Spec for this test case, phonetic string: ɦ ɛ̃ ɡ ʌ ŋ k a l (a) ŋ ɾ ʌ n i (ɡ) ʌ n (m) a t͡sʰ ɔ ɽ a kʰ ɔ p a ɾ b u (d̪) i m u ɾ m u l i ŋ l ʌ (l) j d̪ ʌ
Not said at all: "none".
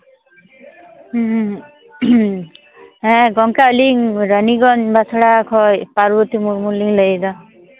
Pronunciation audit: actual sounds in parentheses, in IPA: i, ɡ, b, t̪, none

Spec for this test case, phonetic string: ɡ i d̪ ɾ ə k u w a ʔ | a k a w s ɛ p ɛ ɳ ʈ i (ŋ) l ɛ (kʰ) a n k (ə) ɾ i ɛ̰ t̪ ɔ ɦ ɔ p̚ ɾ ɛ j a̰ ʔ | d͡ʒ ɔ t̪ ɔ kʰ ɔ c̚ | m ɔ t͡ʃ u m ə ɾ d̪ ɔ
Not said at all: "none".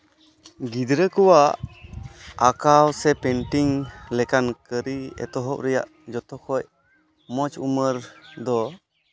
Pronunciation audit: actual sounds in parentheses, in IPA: ŋ, k, ə

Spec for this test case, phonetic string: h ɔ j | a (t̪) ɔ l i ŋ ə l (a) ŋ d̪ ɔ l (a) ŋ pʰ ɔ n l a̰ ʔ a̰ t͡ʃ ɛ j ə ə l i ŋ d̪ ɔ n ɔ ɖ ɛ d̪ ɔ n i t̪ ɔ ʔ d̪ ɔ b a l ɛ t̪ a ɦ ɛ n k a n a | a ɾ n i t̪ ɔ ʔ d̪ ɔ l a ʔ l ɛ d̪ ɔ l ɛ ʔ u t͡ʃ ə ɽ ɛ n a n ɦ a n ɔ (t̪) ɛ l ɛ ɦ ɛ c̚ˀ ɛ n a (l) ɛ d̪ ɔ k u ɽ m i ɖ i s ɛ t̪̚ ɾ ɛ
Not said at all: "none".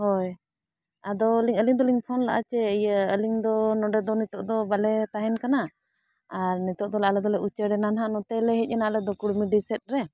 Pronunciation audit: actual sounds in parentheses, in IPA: d̪, i, i, t̪, l

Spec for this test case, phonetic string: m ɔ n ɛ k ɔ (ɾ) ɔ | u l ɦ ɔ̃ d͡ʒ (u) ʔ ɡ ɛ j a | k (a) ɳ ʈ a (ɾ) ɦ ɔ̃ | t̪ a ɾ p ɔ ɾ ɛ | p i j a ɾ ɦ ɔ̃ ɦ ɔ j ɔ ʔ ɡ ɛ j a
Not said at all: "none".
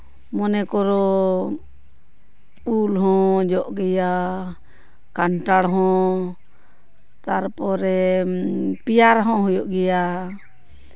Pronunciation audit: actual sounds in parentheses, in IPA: ɾ, ɔ, a, ɽ

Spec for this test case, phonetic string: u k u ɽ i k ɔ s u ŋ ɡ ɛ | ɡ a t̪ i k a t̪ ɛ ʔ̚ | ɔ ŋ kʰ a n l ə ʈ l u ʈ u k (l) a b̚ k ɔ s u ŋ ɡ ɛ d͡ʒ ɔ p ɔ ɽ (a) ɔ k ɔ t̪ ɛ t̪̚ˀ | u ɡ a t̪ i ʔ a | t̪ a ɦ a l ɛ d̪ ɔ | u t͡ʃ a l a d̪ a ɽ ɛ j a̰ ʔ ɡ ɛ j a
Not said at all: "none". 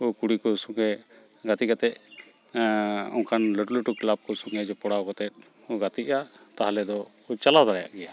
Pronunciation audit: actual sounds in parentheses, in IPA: l, a

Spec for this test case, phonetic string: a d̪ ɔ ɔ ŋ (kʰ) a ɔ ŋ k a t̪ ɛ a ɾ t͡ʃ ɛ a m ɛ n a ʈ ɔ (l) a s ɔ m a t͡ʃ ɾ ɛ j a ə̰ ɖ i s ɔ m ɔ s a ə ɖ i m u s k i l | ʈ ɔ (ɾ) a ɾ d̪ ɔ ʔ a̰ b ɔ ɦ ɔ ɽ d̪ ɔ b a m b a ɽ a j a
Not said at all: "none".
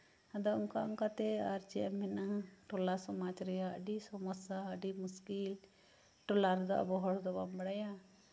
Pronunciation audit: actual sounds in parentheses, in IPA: k, l, l

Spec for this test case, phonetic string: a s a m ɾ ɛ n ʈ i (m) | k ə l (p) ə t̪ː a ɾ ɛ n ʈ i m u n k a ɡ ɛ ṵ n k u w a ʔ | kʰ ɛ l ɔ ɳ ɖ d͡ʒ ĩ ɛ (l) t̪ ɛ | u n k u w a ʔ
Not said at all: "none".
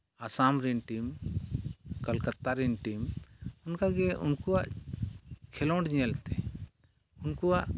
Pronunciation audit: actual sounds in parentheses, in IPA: m, k, l

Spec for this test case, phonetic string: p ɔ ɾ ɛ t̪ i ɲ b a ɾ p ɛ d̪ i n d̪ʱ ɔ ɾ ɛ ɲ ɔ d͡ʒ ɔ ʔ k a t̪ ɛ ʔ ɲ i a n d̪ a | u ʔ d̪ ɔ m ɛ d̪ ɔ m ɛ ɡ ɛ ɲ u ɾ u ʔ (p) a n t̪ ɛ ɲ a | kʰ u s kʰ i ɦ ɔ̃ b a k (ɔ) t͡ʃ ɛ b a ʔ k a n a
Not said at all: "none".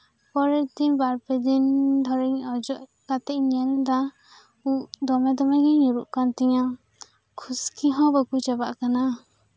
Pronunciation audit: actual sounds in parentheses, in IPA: k, u

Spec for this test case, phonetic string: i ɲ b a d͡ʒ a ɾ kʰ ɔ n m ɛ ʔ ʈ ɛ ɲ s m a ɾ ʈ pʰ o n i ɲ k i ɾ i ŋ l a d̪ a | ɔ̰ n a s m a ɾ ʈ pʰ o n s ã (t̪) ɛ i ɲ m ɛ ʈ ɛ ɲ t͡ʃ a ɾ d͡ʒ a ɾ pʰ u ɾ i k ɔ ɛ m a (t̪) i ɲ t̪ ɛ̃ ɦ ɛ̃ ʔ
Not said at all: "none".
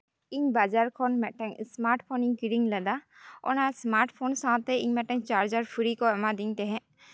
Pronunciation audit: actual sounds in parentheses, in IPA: t̪, d̪

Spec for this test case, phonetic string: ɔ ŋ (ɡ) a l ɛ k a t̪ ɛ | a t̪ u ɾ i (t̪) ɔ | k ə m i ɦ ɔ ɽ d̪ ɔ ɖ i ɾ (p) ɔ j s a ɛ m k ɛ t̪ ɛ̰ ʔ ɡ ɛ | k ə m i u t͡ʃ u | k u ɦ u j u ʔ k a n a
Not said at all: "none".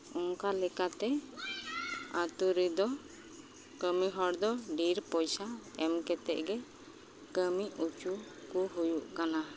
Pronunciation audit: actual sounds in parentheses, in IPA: k, d̪, p

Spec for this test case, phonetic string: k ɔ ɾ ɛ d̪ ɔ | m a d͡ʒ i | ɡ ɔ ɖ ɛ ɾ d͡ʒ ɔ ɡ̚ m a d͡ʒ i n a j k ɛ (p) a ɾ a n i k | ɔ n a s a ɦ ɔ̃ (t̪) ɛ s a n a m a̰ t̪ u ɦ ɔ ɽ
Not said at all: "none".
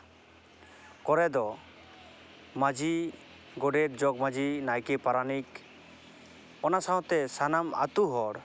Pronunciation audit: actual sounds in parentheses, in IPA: p, t̪

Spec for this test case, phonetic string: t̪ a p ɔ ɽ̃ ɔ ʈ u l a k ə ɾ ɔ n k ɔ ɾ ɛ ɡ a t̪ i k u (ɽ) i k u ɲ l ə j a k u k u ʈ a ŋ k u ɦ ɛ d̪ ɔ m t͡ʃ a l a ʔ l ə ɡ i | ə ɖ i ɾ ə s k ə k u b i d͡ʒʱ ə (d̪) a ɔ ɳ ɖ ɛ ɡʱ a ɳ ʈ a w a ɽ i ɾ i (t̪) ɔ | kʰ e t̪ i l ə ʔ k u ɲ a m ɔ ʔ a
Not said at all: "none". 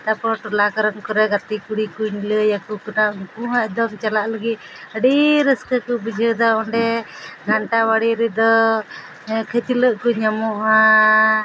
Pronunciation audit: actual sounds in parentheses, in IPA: ɽ, d̪, d̪

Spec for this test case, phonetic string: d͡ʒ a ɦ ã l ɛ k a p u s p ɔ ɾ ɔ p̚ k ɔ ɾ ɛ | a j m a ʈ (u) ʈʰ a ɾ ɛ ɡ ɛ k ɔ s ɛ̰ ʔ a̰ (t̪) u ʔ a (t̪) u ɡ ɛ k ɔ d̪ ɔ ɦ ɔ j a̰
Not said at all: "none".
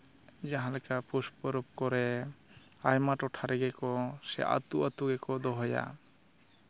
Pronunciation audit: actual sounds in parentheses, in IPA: ɔ, t̪, t̪

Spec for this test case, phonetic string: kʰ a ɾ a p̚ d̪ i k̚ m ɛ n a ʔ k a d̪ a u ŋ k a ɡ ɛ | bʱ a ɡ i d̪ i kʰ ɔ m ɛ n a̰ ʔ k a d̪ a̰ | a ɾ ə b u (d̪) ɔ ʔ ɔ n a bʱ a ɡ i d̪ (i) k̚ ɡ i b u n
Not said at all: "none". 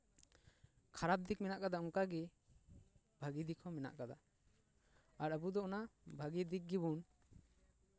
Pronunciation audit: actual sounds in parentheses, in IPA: d̪, i

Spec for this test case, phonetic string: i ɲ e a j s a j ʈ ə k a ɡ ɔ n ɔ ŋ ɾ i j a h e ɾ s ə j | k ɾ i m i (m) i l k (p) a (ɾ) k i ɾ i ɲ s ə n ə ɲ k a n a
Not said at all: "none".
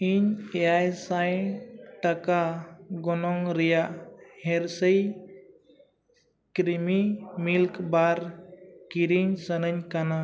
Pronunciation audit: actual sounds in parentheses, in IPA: m, b, ɾ

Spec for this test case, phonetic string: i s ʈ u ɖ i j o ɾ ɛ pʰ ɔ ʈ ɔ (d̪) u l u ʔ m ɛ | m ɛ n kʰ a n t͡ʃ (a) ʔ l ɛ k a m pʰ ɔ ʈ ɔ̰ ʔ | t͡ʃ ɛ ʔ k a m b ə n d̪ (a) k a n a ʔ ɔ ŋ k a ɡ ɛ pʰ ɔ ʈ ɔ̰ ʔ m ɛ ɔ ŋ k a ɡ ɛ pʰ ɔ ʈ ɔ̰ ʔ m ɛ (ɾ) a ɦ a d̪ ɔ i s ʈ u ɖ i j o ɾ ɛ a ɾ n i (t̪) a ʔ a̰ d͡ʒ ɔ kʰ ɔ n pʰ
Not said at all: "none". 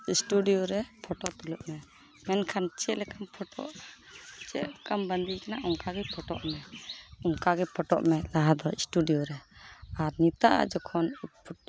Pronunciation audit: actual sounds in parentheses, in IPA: t̪, ɛ, i, l, t̪

